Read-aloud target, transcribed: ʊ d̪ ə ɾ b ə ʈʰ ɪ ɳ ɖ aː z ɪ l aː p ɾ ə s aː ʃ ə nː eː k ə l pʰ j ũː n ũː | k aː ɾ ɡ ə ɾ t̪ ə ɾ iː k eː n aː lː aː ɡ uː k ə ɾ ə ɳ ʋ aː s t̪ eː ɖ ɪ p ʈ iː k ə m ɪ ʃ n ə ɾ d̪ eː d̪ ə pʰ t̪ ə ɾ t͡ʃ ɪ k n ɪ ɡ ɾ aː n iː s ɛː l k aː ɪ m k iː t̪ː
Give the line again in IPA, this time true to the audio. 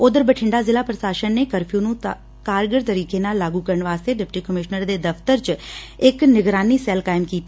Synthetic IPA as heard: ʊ d̪ ə ɾ b ə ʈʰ ɪ ɳ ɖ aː z ɪ l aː p ɾ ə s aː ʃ ə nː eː k ə ɾ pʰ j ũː n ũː | k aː ɾ ɡ ə ɾ t̪ ə ɾ iː k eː n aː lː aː ɡ uː k ə ɾ ə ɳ ʋ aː s t̪ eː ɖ ɪ p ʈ iː k ə m ɪ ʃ n ə ɾ d̪ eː d̪ ə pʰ t̪ ə ɾ t͡ʃ ɪ k n ɪ ɡ ɾ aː n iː s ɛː l k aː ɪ m k iː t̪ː

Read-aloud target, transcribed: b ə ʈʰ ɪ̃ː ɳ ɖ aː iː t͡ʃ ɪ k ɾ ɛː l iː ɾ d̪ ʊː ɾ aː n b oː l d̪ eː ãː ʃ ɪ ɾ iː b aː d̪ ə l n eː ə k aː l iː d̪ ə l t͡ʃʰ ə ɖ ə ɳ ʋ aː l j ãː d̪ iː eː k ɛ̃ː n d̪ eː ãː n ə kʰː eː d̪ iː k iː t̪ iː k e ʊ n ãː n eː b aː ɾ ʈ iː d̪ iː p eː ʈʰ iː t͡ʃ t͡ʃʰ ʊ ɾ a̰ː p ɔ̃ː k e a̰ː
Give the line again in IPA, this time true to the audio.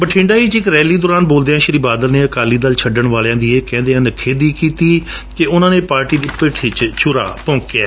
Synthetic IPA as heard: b ə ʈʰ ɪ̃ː ɳ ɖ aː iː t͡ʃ ɪ k ɾ ɛː l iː d̪ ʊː ɾ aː n b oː l d̪ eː ãː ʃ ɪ ɾ iː b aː d̪ ə l n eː ə k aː l iː d̪ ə l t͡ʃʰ ə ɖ ə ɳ ʋ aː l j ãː d̪ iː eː k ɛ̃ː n d̪ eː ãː n ə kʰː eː d̪ iː k iː t̪ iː k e ʊ n ãː n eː p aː ɾ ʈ iː d̪ iː p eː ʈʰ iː t͡ʃ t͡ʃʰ ʊ ɾ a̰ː p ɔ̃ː k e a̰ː

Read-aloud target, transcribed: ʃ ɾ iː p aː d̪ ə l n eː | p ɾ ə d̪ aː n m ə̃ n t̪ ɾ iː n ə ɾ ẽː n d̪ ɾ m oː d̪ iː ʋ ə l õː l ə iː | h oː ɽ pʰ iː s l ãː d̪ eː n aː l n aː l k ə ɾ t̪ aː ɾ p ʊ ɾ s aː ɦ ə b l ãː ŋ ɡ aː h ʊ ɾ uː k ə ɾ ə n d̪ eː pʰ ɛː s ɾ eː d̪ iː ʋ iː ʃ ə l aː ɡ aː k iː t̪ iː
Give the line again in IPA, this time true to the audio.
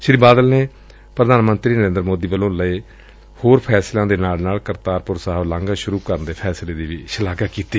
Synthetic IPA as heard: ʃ ɾ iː b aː d̪ ə l n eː | p ɾ ə d̪ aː n m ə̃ n t̪ ɾ iː n ə ɾ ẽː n d̪ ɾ m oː d̪ iː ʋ ə l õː l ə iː | h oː ɾ pʰ ɛː s l ãː d̪ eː n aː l n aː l k ə ɾ t̪ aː ɾ p ʊ ɾ s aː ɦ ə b l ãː ŋ ɡ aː ʃ ʊ ɾ uː k ə ɾ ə n d̪ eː pʰ ɛː s l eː d̪ iː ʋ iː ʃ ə l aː ɡ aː k iː t̪ iː

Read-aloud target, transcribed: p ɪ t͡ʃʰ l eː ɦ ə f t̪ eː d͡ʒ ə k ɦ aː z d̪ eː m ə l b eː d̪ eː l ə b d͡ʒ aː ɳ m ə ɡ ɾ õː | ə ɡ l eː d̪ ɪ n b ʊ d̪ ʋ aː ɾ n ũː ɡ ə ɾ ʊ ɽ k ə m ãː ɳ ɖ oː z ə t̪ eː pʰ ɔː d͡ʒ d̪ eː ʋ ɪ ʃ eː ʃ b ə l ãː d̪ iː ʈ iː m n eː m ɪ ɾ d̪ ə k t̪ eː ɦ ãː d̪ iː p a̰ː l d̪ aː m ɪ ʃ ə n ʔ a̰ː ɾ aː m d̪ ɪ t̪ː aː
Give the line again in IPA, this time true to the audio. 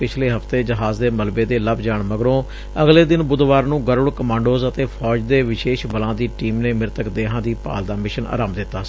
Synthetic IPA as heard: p ɪ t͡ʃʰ l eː ɦ ə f t̪ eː d͡ʒ ə ɦ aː z d̪ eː m ə l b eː d̪ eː l ə b d͡ʒ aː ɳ m ə ɡ ɾ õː | ə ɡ l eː d̪ ɪ n b ʊ d̪ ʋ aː ɾ n ũː ɡ ə ɾ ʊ ɽ k ə m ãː ɳ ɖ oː z ə t̪ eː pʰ ɔː d͡ʒ d̪ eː ʋ ɪ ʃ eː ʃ b ə l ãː d̪ iː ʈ iː m n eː m ɪ ɾ t̪ ə k d̪ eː ɦ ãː d̪ iː p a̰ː l d̪ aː m ɪ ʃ ə n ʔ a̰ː ɾ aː m d̪ ɪ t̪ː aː

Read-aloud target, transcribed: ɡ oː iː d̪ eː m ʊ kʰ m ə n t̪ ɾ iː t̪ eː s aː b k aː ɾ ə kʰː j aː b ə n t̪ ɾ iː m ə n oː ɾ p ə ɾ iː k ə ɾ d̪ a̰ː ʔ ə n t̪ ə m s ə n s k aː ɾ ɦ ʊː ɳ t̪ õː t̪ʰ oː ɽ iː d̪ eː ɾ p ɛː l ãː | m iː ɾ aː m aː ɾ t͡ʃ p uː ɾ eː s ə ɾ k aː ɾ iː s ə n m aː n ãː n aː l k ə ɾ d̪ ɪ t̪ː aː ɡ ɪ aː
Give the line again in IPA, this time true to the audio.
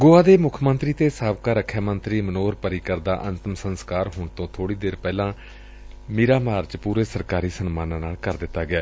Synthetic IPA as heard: ɡ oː aː d̪ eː m ʊ kʰ m ə n t̪ ɾ iː t̪ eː s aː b k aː ɾ ə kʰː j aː m ə n t̪ ɾ iː m ə n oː ɾ p ə ɾ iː k ə ɾ d̪ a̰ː ʔ ə n t̪ ə m s ə n s k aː ɾ ɦ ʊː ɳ t̪ õː t̪ʰ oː ɽ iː d̪ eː ɾ p ɛː l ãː | m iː ɾ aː m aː ɾ t͡ʃ p uː ɾ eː s ə ɾ k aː ɾ iː s ə n m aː n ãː n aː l k ə ɾ d̪ ɪ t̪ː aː ɡ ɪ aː

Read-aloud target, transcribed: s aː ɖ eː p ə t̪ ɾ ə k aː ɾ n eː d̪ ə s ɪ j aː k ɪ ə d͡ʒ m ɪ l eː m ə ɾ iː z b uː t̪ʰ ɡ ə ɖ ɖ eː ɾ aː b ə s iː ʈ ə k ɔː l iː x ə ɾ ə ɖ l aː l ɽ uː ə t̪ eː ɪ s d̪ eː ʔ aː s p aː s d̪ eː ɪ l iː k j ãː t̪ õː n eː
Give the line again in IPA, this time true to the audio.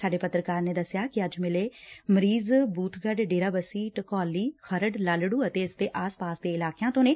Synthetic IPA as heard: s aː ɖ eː p ə t̪ ɾ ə k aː ɾ n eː d̪ ə s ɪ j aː k ɪ ə d͡ʒ m ɪ l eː m ə ɾ iː z b uː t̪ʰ ɡ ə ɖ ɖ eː ɾ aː b ə s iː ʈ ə k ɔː l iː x ə ɾ ə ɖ l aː l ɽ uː ə t̪ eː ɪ s d̪ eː ʔ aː s p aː s d̪ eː ɪ l aː k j ãː t̪ õː n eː

